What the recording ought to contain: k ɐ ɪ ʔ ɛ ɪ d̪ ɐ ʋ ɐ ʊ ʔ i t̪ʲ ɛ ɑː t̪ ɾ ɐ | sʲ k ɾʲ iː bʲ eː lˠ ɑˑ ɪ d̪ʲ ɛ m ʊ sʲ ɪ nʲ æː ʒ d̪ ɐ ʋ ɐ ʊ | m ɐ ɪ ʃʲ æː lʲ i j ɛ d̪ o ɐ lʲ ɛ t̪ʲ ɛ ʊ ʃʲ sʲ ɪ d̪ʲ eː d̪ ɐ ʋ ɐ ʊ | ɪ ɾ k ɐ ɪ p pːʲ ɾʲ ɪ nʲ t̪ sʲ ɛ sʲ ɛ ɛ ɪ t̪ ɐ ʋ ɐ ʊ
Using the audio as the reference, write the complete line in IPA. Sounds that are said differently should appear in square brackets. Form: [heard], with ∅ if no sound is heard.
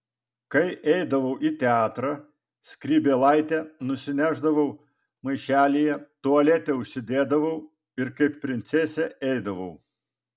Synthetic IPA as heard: k ɐ ɪ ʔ ɛ ɪ d̪ ɐ ʋ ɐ ʊ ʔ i t̪ʲ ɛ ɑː t̪ ɾ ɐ | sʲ k ɾʲ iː bʲ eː lˠ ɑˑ ɪ [t̪ʲ] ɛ [n] ʊ sʲ ɪ nʲ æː ʒ d̪ ɐ ʋ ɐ ʊ | m ɐ ɪ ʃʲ æː lʲ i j ɛ [t̪] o ɐ lʲ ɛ t̪ʲ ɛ ʊ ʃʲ sʲ ɪ d̪ʲ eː d̪ ɐ ʋ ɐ ʊ | ɪ ɾ k ɐ ɪ p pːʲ ɾʲ ɪ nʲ t̪ sʲ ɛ sʲ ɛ ɛ ɪ [d̪] ɐ ʋ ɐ ʊ